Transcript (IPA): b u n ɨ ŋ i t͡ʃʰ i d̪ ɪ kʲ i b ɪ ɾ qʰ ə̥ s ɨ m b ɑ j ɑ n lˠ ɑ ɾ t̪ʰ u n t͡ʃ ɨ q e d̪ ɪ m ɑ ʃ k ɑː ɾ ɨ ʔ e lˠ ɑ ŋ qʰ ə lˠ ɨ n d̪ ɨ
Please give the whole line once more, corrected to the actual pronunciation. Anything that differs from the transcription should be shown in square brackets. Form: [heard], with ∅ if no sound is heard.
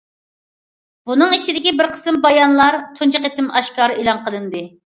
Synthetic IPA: b u n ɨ ŋ i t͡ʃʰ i d̪ ɪ kʲ i b ɪ ɾ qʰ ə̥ s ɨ m b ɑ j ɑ n lˠ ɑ ɾ t̪ʰ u n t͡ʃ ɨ q e [t̪] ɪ m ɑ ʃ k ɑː ɾ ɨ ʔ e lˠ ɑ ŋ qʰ ə lˠ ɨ n d̪ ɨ